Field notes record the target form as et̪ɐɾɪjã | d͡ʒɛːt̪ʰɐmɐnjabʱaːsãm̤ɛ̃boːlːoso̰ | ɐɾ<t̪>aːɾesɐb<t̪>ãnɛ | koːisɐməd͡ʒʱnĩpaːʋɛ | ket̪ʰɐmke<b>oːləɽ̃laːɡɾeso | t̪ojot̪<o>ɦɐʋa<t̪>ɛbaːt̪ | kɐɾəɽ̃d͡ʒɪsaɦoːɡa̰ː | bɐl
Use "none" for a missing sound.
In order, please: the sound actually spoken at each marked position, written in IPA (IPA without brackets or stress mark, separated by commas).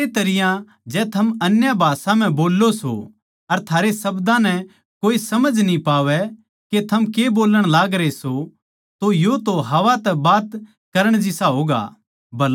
t̪ʰ, d̪, b, o, t̪